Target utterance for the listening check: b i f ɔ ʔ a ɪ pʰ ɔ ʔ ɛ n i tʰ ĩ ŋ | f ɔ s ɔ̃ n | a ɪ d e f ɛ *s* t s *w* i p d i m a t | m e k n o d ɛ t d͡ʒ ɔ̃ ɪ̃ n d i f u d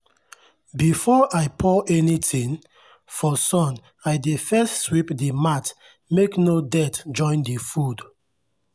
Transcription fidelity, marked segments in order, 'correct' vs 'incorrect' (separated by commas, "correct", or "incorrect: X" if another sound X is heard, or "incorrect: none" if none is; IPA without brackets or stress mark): correct, correct